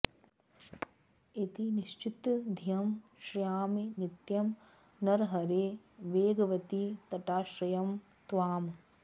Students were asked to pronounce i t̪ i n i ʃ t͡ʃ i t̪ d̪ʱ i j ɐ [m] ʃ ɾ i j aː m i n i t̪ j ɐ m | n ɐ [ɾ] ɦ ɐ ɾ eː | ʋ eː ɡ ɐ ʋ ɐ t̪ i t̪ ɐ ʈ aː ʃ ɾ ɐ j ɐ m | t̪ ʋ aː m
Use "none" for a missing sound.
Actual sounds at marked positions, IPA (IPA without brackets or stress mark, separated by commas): m, ɾ